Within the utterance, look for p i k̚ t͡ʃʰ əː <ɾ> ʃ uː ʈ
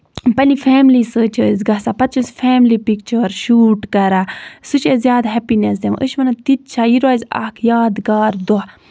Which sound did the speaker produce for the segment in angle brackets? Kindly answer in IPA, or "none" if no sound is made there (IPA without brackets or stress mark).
ɾ